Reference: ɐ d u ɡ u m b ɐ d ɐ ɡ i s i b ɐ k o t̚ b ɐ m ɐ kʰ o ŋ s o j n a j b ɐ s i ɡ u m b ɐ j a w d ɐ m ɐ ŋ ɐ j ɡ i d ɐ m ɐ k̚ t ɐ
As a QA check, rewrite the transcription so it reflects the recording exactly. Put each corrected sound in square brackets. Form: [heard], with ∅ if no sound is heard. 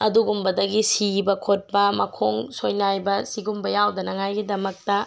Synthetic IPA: ɐ d u ɡ u m b ɐ d ɐ ɡ i s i b ɐ [kʰ] o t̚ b ɐ m ɐ kʰ o ŋ s o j n a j b ɐ s i ɡ u m b ɐ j a w d ɐ [n] ɐ ŋ [a] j ɡ i d ɐ m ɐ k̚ t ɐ